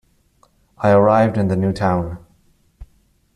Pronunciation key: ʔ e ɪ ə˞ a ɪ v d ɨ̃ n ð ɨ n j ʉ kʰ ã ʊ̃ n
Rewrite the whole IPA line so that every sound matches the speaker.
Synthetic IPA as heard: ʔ a ɪ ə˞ a ɪ v d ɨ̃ n ð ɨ n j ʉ tʰ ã ʊ̃ n